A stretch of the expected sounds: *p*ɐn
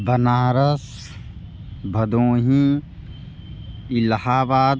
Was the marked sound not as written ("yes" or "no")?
yes